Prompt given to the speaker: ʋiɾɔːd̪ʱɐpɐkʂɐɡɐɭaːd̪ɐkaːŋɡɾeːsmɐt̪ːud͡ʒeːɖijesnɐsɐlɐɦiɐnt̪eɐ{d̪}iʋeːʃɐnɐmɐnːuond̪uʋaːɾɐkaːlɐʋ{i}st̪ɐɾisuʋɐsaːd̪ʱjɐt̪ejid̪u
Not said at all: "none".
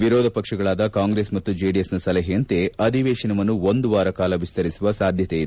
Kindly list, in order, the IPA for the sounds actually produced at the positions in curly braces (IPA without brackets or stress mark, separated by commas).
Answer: d̪, i